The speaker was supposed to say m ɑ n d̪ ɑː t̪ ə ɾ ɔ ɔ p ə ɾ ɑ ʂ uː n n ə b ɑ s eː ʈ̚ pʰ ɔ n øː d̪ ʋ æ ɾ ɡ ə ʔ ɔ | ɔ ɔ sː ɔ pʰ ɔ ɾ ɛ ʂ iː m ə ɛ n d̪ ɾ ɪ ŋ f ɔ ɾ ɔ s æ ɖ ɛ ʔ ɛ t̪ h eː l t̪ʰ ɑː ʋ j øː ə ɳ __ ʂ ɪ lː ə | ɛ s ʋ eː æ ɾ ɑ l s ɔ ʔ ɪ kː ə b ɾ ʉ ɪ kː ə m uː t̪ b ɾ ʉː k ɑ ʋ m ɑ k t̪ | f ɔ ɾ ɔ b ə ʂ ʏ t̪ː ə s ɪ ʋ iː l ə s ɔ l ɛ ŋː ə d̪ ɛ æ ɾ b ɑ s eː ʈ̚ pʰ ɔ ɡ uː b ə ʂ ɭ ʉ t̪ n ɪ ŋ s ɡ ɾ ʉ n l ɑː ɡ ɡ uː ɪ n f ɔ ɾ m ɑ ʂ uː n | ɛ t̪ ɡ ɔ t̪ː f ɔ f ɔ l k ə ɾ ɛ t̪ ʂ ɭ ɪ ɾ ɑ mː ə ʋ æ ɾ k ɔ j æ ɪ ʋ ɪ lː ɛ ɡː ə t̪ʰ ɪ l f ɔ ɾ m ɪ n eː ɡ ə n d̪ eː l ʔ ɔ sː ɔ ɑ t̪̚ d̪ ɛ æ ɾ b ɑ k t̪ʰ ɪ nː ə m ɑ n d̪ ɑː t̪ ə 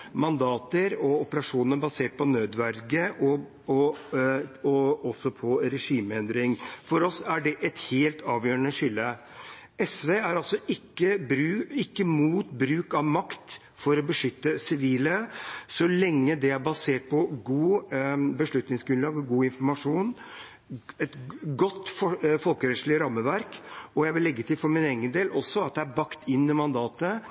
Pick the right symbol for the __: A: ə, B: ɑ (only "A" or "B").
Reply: A